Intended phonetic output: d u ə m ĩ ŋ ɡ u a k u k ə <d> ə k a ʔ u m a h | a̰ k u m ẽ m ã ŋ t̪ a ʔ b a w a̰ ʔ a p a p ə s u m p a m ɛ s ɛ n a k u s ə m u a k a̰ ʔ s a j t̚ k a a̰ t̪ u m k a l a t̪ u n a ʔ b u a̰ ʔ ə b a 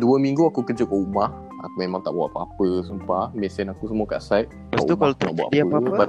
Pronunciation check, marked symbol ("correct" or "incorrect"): incorrect